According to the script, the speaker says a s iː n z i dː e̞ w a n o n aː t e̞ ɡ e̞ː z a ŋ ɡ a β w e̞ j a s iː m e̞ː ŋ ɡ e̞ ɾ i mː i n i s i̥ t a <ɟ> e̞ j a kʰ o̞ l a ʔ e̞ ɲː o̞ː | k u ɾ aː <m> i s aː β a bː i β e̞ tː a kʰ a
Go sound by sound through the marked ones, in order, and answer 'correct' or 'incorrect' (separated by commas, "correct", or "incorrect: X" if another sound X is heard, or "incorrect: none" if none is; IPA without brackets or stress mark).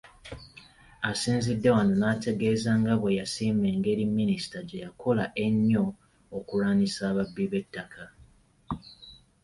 correct, incorrect: n